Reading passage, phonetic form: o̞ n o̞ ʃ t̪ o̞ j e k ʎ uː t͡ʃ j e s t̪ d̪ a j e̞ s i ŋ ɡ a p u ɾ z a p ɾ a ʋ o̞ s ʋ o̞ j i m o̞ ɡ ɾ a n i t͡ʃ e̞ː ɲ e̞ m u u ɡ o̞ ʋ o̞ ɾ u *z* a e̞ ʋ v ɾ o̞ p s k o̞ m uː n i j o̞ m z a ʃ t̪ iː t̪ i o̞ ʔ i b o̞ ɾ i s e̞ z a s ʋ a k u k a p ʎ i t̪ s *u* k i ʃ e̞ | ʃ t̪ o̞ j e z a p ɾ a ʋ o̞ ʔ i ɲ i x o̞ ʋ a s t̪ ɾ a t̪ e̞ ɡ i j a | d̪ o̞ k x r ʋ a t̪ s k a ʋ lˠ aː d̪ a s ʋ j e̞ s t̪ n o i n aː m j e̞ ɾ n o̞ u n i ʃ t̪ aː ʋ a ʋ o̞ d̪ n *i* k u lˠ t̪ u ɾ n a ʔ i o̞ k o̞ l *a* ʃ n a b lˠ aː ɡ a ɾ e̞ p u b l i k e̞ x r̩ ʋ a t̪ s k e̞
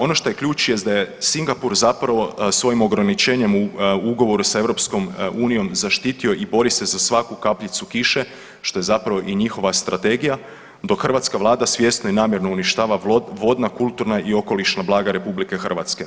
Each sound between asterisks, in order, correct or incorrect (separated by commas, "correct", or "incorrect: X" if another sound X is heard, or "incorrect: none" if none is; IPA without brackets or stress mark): incorrect: s, correct, incorrect: a, incorrect: i